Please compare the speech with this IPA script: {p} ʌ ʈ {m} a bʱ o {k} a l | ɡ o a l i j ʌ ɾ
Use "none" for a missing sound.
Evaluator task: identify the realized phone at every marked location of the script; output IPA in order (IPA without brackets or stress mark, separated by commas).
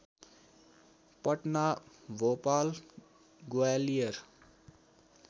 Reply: p, n, p